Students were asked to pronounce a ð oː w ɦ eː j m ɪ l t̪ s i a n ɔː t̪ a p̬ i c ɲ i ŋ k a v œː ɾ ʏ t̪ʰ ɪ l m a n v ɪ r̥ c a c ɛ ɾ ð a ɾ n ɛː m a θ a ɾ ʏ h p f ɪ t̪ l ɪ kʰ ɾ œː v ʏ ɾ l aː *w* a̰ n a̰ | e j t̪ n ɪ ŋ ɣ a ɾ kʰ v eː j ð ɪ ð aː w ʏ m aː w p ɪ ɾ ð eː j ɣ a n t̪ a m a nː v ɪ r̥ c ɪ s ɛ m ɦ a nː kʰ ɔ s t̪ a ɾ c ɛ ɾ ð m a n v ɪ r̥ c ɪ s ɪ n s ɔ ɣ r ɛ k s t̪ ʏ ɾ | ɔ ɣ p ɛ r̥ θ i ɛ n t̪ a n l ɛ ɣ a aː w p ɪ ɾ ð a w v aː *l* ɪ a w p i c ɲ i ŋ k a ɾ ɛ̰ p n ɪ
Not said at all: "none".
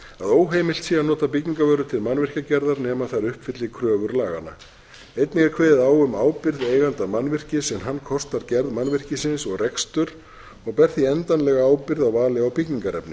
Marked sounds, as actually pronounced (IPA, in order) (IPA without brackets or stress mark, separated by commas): ɣ, l